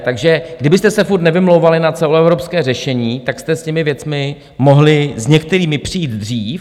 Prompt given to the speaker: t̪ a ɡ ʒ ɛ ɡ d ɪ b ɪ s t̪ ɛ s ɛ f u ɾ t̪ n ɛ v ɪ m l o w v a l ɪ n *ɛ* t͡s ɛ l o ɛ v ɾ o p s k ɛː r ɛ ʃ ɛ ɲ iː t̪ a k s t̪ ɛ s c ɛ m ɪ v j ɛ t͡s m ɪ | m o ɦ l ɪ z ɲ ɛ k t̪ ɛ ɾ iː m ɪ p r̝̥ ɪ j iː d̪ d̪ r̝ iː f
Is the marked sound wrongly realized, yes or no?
yes